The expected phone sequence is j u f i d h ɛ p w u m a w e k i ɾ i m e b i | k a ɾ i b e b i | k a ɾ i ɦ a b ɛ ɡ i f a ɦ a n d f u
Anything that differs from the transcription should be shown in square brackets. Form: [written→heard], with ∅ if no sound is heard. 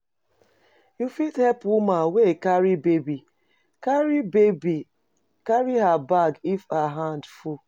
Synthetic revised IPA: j u f i d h ɛ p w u m a w e k [i→a] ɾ i [m→b] e b i | k a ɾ i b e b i | k a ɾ i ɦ a b [ɛ→a] ɡ i f a ɦ a n d f u